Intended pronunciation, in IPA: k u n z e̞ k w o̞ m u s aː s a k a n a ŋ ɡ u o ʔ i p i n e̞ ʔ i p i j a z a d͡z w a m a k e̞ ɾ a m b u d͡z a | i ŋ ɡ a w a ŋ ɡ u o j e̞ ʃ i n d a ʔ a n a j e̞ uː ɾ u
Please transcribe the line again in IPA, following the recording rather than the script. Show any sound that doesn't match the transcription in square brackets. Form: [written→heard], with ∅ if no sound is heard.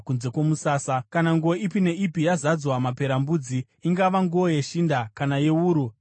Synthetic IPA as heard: k u n z e̞ k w o̞ m u s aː s a k a n a ŋ ɡ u o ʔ i p i n e̞ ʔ i p i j a z a d͡z w a m a [k→p] e̞ ɾ a m b u d͡z [a→i] | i ŋ ɡ a [w→ʋ] a ŋ ɡ u o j e̞ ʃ i n d a [ʔ→k] a n a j e̞ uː ɾ u

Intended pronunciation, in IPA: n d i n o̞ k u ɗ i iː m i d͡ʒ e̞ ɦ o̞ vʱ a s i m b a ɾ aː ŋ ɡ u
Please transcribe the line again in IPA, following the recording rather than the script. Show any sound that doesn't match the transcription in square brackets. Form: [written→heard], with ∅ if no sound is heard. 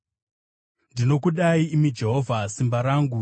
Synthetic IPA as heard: n d i n o̞ k u ɗ [i→a] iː m i d͡ʒ e̞ ɦ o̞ vʱ a s i m b a ɾ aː ŋ ɡ u

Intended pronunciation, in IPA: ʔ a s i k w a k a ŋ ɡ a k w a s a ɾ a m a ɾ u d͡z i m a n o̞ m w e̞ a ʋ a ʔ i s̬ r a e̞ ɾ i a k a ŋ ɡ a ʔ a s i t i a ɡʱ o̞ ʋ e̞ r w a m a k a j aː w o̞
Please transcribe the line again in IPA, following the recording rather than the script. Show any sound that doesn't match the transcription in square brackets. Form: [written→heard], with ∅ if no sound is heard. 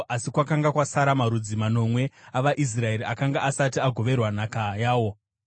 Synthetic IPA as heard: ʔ a s i k w a k a ŋ ɡ a k w a s a ɾ a m a ɾ u d͡z i m a n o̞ m w e̞ a ʋ a ʔ i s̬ r a e̞ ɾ i a k a ŋ ɡ a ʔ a s [i→a] t i a ɡʱ o̞ ʋ e̞ r w a [m→n] a k a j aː w o̞

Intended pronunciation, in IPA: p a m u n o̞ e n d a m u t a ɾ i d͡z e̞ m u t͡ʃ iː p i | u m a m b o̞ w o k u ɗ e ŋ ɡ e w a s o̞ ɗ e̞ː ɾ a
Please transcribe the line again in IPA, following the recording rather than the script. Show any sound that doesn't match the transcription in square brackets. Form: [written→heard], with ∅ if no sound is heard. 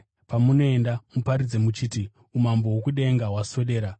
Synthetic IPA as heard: p a m u n o̞ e n d a m u [t→p] a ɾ i d͡z e̞ m u t͡ʃ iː [p→t] i | u m a m b o̞ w o k u ɗ e ŋ ɡ [e→a] w a s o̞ ɗ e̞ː ɾ a

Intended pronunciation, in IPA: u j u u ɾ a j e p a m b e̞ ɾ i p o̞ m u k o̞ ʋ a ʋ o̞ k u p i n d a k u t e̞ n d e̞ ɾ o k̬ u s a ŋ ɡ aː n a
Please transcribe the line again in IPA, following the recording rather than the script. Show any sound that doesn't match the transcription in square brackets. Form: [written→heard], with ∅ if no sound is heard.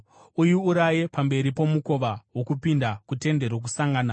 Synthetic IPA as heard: u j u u ɾ a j e p a m b e̞ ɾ i p o̞ m u k o̞ ʋ a [ʋ→w] o̞ k u p i n d a k u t e̞ n d e̞ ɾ o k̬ u s a ŋ ɡ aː n a

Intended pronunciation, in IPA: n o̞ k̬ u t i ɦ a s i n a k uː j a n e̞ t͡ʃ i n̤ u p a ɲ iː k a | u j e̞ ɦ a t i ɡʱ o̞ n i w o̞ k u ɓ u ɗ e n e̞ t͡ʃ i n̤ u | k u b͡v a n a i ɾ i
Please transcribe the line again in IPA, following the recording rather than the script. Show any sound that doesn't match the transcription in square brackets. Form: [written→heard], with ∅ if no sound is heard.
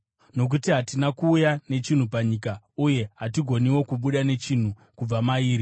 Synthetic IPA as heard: n o̞ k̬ u t i ɦ a [s→t] i n a k uː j a n e̞ t͡ʃ i n̤ u p a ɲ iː k a | u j e̞ ɦ a t i ɡʱ o̞ n i w o̞ k u ɓ u ɗ [e→a] n e̞ t͡ʃ i n̤ u | k u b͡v a [n→m] a [i→iː] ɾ i

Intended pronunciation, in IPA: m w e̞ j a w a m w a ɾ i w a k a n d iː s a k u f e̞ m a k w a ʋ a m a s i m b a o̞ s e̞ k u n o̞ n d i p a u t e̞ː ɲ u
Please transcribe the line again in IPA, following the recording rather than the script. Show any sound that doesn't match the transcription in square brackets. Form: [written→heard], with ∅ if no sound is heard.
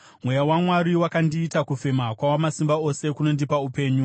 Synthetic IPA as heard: m w e̞ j a w a m w a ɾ i w a k a n d iː [s→t] a k u f e̞ m a k w a [ʋ→w] a m a s i m b a o̞ s e̞ k u n o̞ n d i p a u [t→p] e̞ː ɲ u

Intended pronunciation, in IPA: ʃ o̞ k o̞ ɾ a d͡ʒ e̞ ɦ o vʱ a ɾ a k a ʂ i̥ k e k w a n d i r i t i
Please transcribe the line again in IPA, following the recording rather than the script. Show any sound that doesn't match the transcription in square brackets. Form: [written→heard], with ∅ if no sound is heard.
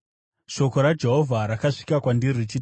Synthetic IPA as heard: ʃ o̞ k o̞ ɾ a d͡ʒ e̞ ɦ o vʱ a ɾ a k a ʂ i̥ k [e→a] k w a n d i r i [t→t͡ʃ] i

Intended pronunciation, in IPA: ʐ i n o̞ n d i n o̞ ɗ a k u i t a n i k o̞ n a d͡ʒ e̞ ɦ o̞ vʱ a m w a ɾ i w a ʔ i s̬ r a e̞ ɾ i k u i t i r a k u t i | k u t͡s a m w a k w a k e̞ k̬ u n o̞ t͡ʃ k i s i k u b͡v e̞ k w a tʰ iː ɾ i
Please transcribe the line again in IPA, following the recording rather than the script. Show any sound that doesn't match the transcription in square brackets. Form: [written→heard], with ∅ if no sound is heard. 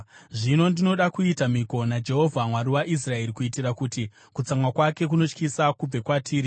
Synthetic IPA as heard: ʐ i n o̞ n d i n o̞ ɗ a k u i t a [n→m] i k o̞ n a d͡ʒ e̞ ɦ o̞ vʱ a m w a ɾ i w a ʔ i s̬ r a e̞ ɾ i k u i t i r a k u t i | k u t͡s a m w a k w a k e̞ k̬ u n o̞ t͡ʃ k i s [i→a] k u b͡v e̞ k w a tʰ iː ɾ i

